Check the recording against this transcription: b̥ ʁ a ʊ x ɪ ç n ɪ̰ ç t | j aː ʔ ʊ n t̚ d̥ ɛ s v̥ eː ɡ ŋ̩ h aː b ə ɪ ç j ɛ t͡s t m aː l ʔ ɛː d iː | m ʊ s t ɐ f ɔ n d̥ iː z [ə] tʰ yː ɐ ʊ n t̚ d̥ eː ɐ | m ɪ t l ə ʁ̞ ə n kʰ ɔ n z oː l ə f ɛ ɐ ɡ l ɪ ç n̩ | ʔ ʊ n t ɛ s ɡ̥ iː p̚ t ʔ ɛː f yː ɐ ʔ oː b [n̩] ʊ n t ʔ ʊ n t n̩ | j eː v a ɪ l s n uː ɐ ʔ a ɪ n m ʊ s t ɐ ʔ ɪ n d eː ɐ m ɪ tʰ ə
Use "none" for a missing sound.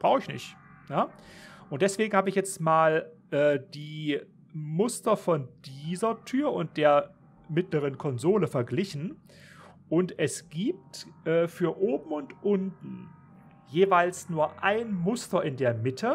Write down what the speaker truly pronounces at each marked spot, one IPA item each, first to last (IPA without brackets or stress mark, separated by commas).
ɐ, m̩